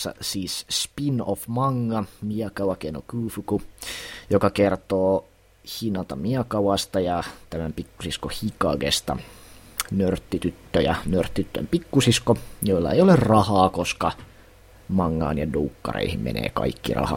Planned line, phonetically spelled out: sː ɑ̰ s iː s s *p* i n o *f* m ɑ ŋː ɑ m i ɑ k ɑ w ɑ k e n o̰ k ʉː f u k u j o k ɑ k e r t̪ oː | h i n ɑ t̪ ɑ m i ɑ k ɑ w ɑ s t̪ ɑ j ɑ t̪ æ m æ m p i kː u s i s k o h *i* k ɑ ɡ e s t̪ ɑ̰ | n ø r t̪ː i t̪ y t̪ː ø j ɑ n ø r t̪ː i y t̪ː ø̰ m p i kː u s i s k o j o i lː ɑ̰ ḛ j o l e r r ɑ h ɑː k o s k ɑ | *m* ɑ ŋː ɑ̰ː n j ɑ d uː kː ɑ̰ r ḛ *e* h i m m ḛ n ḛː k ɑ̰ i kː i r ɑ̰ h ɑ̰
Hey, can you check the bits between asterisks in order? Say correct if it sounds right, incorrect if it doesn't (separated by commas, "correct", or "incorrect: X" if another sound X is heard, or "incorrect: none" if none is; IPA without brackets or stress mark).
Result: correct, correct, correct, correct, incorrect: i